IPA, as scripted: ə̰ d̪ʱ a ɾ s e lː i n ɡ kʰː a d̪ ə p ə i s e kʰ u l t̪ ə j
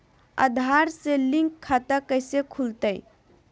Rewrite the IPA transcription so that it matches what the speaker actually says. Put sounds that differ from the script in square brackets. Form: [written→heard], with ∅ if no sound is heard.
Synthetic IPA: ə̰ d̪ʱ a ɾ s e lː i [n→ŋ] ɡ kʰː a [d̪→t̪] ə [p→k] ə [i→j] s e kʰ u l t̪ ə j